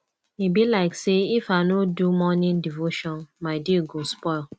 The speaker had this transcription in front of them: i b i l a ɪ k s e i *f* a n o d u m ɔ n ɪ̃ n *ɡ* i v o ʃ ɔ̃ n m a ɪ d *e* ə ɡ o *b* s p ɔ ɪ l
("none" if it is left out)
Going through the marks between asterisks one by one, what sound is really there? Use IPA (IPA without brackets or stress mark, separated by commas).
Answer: f, d, i, none